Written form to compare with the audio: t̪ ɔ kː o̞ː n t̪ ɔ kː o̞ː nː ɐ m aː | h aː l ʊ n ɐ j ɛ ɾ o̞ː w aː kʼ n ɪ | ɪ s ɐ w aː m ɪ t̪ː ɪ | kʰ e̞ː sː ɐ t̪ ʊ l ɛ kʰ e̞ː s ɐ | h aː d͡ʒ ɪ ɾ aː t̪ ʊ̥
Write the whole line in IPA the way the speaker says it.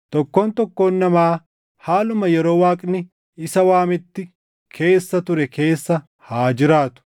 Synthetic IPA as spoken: t̪ ɔ kː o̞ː n t̪ ɔ kː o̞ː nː ɐ m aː | h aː l ʊ m ɐ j ɛ ɾ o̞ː w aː kʼ n ɪ | ɪ s ɐ w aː m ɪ t̪ː ɪ | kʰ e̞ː sː ɐ t̪ ʊ ɾ ɛ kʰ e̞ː sː ɐ | h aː d͡ʒ ɪ ɾ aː t̪ ʊ̥